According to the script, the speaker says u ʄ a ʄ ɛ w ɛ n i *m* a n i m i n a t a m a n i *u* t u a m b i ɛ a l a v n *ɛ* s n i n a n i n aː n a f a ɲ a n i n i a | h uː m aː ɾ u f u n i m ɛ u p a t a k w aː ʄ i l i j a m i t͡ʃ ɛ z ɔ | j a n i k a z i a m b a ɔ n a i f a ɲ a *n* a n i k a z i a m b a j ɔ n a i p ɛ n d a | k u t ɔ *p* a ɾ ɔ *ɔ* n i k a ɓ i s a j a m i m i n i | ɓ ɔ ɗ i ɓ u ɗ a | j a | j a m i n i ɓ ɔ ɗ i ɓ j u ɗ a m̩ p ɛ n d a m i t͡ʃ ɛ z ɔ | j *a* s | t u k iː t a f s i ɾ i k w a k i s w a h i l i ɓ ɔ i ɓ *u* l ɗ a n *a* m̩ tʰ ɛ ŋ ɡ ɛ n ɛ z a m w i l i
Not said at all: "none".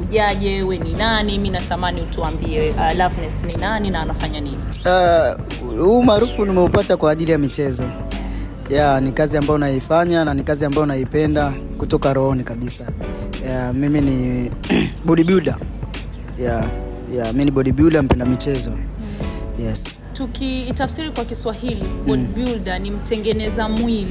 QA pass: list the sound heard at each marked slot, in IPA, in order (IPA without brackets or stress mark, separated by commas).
n, u, ɛ, n, k, ɔ, ɛ, u, i